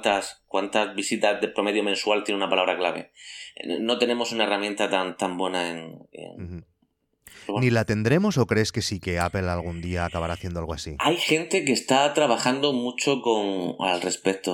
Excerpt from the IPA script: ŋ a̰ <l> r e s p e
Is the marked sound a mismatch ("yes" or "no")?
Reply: no